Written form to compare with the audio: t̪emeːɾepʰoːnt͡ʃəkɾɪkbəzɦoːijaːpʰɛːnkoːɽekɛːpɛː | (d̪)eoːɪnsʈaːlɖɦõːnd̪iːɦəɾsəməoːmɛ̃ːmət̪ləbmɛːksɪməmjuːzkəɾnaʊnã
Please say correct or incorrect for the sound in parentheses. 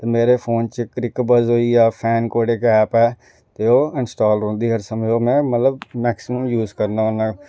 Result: incorrect